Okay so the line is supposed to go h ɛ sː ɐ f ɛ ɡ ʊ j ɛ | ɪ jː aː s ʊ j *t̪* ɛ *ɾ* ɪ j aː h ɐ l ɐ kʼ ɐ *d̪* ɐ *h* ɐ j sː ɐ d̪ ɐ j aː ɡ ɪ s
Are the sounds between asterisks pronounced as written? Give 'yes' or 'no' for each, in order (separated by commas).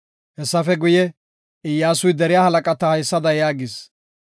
no, yes, no, yes